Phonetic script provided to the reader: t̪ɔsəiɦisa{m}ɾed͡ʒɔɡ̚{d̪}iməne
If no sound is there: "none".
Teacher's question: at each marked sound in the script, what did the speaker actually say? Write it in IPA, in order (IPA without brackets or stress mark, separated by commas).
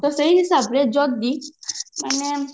b, d̪